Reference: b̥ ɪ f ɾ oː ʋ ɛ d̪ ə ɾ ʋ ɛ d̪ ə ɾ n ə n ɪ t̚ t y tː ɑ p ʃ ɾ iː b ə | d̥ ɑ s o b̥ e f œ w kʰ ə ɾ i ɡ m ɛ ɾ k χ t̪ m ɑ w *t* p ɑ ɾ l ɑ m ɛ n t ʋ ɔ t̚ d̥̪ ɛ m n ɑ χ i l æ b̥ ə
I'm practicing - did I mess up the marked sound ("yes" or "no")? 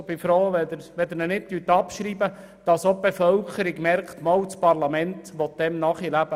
yes